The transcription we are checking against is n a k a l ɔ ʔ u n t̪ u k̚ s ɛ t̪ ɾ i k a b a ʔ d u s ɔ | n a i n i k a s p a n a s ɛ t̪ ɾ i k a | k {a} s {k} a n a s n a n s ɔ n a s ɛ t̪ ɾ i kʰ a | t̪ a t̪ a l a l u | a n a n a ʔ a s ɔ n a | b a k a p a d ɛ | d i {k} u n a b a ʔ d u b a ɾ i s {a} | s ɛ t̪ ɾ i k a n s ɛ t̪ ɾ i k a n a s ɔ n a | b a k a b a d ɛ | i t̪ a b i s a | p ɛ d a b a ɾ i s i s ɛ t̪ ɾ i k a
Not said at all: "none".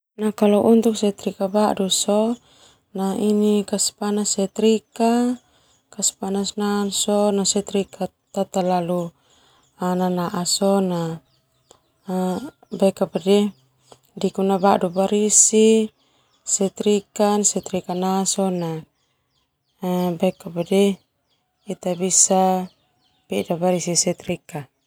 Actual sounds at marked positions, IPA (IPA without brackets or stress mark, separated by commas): a, p, k, i